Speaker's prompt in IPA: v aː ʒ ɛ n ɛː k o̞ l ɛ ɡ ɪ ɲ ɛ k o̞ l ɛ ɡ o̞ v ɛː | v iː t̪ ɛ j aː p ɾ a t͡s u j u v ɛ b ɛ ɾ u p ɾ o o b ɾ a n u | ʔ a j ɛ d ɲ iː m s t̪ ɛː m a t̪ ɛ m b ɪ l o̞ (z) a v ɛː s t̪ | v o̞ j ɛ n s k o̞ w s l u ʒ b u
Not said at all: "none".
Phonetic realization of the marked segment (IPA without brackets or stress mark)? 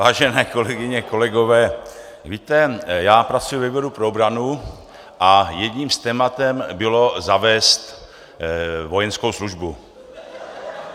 z